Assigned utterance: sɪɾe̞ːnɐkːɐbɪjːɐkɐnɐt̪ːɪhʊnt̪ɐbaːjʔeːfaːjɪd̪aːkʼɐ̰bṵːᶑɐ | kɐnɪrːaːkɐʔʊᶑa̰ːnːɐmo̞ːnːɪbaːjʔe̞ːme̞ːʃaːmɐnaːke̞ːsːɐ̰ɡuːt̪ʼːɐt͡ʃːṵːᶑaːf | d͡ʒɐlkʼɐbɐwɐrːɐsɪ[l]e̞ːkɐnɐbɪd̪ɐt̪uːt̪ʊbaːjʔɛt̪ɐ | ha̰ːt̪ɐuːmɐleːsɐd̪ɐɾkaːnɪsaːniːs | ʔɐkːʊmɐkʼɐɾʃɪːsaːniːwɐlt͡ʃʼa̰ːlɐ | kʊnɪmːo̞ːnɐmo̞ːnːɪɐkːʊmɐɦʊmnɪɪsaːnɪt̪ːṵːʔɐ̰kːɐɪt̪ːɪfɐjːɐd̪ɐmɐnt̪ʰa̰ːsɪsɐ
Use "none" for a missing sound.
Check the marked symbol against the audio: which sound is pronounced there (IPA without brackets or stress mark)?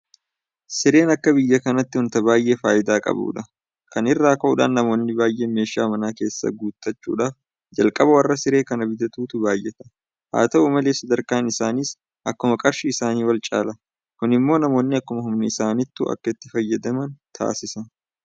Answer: ɾ